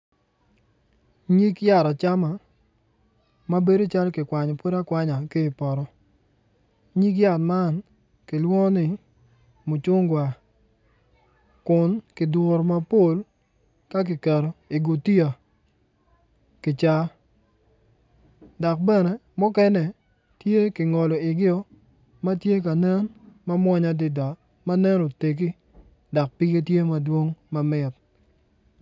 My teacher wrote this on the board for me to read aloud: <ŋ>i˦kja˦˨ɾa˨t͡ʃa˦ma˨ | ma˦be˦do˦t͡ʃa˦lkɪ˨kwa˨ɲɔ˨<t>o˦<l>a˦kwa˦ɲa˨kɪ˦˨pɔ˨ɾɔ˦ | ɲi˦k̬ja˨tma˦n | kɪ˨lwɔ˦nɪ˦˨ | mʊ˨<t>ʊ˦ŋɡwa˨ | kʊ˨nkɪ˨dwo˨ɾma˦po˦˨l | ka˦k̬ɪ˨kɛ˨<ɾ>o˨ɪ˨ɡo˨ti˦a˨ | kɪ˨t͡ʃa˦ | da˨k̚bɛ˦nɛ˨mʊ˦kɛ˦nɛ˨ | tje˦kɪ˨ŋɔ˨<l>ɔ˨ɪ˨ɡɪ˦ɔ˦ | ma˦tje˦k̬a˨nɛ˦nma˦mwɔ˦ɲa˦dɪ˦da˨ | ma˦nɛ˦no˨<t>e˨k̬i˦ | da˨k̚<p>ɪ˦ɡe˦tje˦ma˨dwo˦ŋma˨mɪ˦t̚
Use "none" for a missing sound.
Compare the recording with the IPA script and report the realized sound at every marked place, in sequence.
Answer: ɲ, p, ɾ, t͡ʃ, ɾ, l, t, p

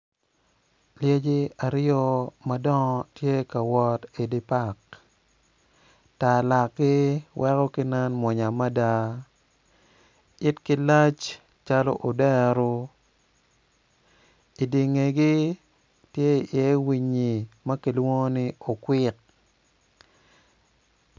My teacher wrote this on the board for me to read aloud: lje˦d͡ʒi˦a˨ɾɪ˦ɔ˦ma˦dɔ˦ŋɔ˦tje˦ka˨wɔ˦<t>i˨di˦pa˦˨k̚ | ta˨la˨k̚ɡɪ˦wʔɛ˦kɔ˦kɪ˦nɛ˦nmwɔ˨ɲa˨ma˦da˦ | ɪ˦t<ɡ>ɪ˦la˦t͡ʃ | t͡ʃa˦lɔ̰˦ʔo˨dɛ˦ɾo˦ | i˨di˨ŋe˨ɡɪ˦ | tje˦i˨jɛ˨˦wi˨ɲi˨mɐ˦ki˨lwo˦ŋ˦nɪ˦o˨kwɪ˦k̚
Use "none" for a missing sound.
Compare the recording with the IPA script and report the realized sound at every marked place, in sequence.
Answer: t, k

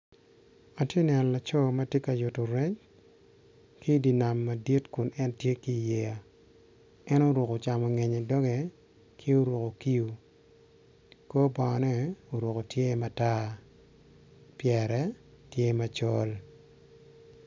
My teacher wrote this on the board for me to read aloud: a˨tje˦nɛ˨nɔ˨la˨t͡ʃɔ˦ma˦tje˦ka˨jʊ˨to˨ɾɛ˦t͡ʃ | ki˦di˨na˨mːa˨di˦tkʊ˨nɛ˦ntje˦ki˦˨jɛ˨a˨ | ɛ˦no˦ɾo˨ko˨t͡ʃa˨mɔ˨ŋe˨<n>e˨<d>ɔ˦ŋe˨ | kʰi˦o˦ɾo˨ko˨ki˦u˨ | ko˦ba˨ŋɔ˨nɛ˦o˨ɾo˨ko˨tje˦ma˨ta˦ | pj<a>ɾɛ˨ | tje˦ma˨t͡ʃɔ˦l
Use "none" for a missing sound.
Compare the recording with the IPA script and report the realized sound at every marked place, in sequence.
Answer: ɲ, d, ɛ

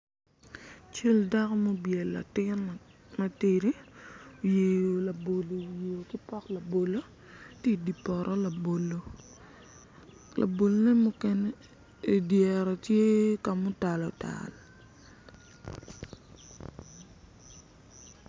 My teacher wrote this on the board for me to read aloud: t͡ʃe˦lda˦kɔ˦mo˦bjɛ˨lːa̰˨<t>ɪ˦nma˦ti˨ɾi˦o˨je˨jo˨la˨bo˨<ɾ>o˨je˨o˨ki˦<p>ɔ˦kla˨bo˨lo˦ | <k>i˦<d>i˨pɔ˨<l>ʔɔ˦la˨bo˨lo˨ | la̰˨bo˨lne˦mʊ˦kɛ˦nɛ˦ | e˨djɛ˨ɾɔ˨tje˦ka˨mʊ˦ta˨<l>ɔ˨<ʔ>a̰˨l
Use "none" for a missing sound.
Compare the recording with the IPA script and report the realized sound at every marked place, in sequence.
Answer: t, l, p, t, d, ɾ, l, t

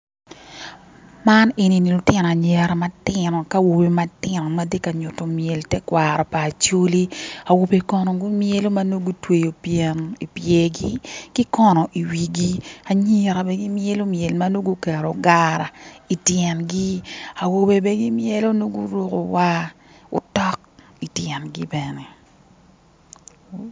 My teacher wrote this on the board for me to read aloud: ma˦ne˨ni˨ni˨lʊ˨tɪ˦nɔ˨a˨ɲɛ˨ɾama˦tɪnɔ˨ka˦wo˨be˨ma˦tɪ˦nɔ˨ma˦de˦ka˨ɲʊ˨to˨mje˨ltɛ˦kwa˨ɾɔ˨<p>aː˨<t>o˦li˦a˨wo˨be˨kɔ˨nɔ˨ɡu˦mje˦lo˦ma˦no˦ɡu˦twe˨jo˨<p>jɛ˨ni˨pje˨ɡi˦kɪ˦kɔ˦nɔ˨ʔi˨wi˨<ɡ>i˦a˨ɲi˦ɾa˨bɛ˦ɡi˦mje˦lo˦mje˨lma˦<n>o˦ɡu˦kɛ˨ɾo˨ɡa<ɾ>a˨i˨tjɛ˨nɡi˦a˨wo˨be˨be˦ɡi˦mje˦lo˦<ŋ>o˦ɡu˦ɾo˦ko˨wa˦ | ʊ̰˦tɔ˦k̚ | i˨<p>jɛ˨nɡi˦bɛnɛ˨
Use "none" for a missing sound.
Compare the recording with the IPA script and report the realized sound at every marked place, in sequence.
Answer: p, t͡ʃ, p, ɡ, n, ɾ, n, t

